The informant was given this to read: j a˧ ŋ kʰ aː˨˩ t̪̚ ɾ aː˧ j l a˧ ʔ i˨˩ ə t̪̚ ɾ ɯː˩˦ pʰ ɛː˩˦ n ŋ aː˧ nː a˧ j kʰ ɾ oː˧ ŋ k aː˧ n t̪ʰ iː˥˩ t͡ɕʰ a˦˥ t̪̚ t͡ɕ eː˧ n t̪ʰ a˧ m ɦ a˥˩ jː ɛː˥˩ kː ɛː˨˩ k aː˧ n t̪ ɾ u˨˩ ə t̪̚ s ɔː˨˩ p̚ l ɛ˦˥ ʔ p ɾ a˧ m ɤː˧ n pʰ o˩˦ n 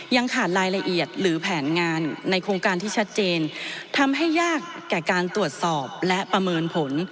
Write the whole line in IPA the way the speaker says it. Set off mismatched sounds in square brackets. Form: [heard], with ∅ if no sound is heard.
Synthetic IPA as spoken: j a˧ ŋ kʰ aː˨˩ t̪̚ ɾ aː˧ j l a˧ ʔ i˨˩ ə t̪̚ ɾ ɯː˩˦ pʰ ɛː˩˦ n ŋ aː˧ nː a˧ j kʰ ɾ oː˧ ŋ k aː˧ n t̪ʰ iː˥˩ t͡ɕʰ a˦˥ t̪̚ t͡ɕ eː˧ n t̪ʰ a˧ m ɦ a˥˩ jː [aː˥˩] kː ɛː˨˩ k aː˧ n t̪ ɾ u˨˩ ə t̪̚ s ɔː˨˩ p̚ l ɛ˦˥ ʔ p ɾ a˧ m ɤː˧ n pʰ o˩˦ n